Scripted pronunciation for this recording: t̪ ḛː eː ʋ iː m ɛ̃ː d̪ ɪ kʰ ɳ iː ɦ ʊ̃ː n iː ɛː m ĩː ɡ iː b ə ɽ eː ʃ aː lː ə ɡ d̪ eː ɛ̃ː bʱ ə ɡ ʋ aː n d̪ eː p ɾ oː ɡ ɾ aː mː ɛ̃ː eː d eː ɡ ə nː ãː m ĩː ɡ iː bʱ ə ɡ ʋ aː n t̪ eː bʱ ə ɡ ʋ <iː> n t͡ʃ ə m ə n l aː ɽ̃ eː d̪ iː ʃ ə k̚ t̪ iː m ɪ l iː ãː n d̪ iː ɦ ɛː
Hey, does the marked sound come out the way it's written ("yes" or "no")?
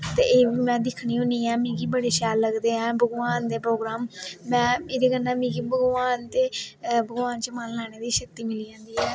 no